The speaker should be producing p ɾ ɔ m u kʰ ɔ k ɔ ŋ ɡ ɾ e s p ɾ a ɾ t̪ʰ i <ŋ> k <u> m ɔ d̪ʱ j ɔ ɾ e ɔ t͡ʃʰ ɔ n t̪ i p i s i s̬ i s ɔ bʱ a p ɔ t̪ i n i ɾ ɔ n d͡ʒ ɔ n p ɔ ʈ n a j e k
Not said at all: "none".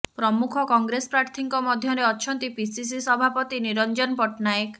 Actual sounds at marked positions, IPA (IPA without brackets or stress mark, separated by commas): ŋ, ɔ